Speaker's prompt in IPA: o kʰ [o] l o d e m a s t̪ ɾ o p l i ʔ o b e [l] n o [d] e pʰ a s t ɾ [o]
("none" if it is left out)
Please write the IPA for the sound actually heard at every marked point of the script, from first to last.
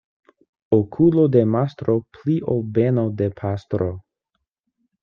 u, none, d, o

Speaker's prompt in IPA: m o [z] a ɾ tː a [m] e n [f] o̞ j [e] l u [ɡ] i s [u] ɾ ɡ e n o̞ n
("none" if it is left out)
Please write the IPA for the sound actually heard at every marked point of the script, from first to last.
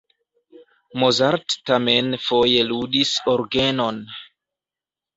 z, m, f, e, d, o

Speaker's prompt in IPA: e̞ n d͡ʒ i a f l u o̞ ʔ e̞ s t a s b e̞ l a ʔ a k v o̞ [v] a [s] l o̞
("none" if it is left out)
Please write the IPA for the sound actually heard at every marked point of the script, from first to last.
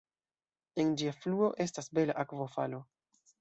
f, none

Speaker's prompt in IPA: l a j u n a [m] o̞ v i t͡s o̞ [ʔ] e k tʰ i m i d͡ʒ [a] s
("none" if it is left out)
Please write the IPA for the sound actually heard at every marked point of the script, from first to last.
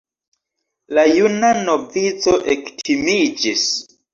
n, ʔ, i

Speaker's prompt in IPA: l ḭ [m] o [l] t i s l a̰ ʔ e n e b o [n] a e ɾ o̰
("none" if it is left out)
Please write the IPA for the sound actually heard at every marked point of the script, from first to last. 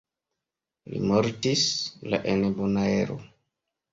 m, ɾ, n

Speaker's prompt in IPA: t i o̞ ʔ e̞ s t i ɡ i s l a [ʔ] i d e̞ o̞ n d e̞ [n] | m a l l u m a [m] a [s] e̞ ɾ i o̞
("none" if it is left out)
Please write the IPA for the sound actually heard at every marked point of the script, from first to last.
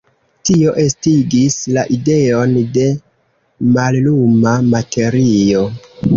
ʔ, none, m, t

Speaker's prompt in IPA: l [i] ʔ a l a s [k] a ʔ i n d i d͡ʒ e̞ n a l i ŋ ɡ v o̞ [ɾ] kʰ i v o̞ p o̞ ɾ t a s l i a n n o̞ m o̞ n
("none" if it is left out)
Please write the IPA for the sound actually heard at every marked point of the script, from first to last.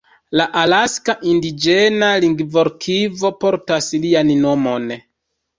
a, k, ɾ

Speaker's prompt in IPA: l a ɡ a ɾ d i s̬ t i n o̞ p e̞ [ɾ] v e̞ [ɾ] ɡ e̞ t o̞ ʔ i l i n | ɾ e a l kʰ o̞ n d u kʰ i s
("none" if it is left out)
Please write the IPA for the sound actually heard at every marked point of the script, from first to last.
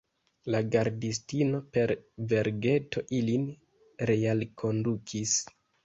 ɾ, ɾ

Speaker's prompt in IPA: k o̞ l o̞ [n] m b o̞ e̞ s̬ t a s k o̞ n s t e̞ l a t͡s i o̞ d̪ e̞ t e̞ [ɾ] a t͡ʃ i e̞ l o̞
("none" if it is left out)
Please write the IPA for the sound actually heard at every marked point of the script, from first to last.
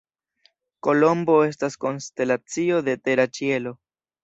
none, ɾ

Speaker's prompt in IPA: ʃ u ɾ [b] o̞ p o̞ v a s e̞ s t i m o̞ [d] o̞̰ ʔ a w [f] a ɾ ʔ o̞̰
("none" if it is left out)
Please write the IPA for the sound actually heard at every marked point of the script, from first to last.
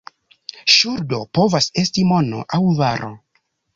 d, n, v

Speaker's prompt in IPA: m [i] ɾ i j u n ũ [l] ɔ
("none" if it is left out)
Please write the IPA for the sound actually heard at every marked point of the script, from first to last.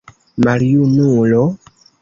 a, l

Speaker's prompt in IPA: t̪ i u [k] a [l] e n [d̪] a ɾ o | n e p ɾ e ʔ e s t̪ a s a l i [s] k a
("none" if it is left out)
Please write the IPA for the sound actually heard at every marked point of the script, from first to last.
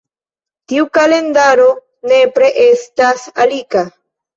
k, l, d̪, none

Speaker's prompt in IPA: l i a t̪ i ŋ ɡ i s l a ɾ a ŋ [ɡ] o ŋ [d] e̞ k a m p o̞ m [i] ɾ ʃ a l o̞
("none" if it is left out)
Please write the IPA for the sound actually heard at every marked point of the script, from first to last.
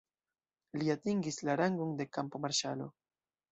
ɡ, d, a

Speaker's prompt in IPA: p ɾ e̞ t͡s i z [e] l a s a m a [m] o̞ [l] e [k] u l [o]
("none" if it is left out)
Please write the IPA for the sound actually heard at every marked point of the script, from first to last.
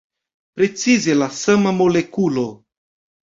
e, m, l, k, o

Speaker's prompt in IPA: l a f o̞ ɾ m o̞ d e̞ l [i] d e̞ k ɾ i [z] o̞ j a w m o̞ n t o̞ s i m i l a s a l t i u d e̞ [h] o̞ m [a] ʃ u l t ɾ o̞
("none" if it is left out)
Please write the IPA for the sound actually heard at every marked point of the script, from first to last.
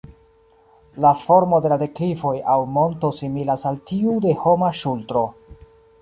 a, v, h, a

